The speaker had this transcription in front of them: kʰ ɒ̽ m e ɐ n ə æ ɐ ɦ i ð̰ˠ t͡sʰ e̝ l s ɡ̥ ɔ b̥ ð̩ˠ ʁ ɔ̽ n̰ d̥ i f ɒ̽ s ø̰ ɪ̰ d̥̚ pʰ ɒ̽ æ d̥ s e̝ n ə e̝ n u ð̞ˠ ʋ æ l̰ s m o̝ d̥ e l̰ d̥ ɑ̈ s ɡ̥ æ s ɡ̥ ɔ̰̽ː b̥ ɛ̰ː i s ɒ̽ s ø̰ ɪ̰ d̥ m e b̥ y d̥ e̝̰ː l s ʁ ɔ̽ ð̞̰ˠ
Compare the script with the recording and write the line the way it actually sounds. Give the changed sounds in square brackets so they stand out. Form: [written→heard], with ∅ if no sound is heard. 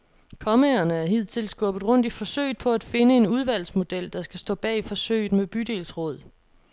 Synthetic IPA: kʰ ɒ̽ m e ɐ n ə æ ɐ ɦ i ð̰ˠ t͡sʰ e̝ l s ɡ̥ ɔ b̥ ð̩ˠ ʁ ɔ̽ n̰ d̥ i f ɒ̽ s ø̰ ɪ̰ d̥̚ pʰ ɒ̽ æ d̥ [s→f] e̝ n ə e̝ n u ð̞ˠ ʋ æ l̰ s m o̝ d̥ e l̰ d̥ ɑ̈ s ɡ̥ æ s [ɡ̥→d̥] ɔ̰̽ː b̥ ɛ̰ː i [s→f] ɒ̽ s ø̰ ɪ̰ d̥ m e b̥ y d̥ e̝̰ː l s ʁ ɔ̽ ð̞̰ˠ